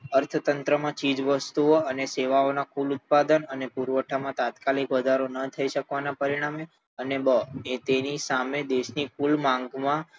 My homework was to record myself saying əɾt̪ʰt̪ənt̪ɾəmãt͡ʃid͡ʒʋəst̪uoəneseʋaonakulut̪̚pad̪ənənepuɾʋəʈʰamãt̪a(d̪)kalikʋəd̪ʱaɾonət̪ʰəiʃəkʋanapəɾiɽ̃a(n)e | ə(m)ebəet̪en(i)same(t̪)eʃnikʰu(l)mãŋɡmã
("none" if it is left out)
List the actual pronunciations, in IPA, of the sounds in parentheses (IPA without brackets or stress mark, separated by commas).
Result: t̪, m, n, i, d̪, l